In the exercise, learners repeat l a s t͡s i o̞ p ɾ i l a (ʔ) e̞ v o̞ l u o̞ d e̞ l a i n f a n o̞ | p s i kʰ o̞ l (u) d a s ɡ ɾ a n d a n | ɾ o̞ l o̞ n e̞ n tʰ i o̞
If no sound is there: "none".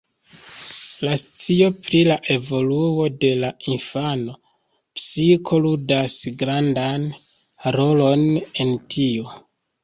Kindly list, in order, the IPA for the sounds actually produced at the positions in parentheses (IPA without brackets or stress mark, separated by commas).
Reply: ʔ, u